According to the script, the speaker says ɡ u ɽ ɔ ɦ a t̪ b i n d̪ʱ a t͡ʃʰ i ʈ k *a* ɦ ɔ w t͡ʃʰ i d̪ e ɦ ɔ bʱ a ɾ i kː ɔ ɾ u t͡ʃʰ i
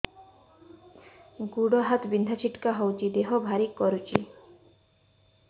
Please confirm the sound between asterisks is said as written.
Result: yes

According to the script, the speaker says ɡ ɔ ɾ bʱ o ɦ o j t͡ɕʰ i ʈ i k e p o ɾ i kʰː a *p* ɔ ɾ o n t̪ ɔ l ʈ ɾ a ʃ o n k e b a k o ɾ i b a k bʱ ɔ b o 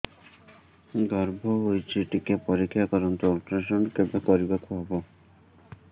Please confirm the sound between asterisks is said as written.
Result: no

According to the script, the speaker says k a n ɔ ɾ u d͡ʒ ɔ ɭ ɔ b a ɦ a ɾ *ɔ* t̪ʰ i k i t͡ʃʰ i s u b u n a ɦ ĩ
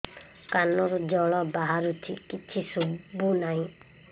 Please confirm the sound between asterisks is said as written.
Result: no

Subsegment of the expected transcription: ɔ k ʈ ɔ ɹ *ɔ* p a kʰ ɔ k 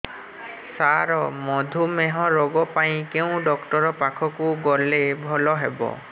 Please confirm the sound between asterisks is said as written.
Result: yes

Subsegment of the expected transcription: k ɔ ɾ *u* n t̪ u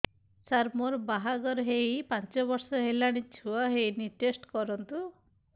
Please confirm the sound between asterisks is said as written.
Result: no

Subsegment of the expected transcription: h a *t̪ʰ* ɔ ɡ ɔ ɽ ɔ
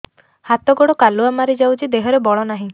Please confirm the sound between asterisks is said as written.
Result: no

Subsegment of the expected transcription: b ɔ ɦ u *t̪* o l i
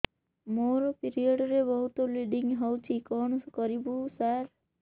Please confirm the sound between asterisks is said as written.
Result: yes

